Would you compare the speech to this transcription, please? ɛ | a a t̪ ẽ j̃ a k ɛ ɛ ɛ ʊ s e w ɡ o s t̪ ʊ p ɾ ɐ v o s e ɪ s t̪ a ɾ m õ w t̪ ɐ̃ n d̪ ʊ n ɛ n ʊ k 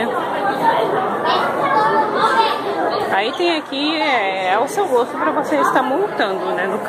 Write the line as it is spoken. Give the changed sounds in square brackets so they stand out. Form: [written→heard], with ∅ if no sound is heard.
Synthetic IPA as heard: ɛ | a [a→i] t̪ ẽ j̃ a k [ɛ→i] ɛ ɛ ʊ s e w ɡ o s t̪ ʊ p ɾ ɐ v o s e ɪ s t̪ a ɾ m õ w t̪ ɐ̃ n d̪ ʊ n ɛ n ʊ k